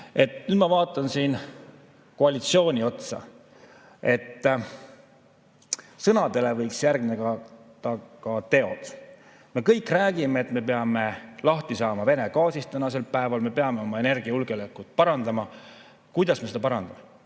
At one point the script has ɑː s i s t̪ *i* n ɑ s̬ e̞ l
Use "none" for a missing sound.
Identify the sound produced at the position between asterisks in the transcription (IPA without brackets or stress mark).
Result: æ